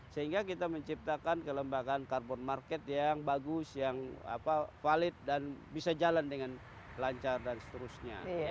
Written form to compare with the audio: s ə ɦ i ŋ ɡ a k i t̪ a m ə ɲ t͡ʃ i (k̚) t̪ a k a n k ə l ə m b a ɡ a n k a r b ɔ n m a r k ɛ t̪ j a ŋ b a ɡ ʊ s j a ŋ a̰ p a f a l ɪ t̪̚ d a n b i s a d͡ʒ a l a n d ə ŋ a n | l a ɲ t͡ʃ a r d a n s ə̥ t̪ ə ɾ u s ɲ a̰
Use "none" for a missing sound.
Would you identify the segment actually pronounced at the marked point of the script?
p̚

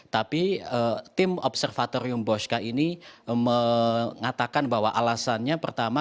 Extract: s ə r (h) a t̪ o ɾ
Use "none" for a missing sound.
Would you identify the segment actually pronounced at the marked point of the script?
f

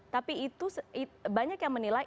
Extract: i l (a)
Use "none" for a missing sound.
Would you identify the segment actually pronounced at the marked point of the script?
a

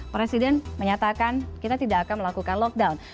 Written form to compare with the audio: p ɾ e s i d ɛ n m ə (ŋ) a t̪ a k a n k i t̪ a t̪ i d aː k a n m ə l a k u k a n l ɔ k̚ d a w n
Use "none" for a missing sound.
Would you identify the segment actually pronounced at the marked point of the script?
ɲ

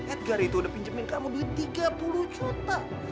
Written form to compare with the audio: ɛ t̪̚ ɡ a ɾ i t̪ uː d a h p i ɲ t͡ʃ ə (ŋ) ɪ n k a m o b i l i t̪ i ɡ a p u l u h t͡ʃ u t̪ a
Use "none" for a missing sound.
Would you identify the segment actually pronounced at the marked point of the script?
m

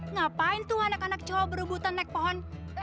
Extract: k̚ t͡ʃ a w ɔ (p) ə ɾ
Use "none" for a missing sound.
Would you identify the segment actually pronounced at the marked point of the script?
b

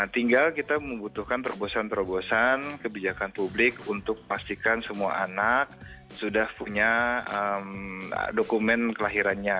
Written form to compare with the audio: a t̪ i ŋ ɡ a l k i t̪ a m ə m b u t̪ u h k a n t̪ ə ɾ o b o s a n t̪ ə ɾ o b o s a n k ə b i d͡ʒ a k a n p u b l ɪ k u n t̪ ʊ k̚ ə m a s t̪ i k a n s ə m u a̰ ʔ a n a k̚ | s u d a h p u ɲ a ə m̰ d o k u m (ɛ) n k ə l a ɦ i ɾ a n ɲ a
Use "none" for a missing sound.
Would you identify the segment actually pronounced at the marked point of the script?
ɛ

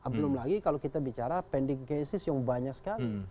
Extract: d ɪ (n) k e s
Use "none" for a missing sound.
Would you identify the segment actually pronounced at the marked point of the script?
ŋ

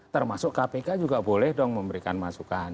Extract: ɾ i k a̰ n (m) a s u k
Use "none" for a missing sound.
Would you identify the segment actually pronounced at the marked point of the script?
m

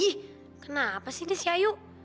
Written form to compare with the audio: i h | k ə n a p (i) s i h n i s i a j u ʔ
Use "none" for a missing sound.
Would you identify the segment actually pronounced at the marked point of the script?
a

